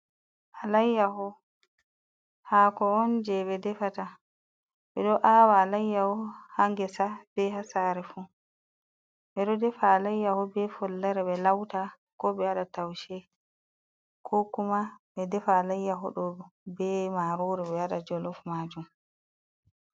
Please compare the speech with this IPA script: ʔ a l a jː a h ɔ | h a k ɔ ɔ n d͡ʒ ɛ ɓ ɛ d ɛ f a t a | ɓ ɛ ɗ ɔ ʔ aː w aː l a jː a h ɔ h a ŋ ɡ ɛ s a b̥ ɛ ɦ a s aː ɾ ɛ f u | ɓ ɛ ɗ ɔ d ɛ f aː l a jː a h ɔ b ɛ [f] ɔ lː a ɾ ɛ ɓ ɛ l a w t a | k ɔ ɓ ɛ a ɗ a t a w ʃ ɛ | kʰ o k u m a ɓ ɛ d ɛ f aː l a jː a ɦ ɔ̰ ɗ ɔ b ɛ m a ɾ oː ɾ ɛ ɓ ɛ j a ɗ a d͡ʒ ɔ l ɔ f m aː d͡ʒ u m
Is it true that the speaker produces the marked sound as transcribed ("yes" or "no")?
yes